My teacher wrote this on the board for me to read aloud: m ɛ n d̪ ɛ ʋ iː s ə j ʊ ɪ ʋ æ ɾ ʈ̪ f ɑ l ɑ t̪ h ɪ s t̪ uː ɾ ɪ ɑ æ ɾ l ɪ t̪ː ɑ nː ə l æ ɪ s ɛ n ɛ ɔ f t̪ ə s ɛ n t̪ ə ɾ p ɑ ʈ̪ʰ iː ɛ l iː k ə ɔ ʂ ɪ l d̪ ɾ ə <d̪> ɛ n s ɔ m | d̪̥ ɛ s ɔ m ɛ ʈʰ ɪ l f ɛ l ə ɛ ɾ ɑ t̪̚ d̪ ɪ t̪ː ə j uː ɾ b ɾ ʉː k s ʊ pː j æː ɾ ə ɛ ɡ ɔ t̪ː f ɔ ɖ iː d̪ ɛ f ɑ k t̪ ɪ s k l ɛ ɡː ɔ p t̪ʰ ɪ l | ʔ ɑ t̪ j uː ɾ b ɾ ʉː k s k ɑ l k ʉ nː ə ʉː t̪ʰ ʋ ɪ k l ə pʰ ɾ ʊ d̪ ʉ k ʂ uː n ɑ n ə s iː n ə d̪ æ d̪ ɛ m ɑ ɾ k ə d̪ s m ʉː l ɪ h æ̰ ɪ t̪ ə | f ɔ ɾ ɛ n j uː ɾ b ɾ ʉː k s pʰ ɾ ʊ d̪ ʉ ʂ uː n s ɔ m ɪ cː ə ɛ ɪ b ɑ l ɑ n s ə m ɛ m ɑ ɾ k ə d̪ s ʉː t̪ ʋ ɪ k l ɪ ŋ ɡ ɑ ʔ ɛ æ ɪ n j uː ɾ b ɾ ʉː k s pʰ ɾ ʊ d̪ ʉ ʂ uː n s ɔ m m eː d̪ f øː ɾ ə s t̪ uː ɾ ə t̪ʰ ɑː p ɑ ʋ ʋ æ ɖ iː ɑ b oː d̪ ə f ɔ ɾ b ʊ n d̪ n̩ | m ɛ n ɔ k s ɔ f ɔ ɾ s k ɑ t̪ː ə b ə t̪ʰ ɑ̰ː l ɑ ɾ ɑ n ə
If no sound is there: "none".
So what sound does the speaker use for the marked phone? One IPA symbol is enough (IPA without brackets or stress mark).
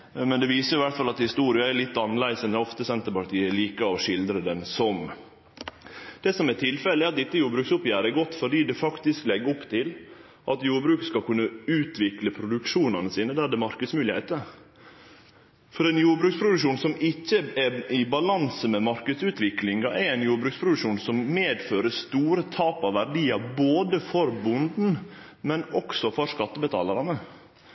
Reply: d̪